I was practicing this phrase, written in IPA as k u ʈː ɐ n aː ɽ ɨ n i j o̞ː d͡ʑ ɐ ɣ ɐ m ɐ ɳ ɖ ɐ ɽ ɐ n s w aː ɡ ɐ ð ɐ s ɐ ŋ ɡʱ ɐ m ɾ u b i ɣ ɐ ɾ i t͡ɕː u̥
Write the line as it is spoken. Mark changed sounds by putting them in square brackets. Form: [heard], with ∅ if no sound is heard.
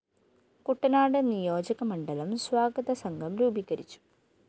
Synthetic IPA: k u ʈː ɐ n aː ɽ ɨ n i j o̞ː d͡ʑ ɐ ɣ ɐ m ɐ ɳ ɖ ɐ [l] ɐ [m] s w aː ɡ ɐ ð ɐ s ɐ ŋ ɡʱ ɐ m ɾ [uː] b i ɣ ɐ ɾ i t͡ɕː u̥